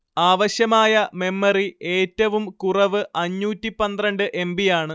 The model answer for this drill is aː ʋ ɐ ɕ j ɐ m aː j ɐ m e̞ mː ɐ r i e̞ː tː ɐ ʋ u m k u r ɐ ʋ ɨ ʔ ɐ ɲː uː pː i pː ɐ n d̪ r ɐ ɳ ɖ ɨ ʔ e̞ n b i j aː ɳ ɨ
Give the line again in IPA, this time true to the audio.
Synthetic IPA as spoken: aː ʋ ɐ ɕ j ɐ m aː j ɐ m e̞ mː ɐ r i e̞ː tː ɐ ʋ u m k u r ɐ ʋ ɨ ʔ ɐ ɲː uː tː i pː ɐ n d̪ r ɐ ɳ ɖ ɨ ʔ e̞ m b i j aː ɳ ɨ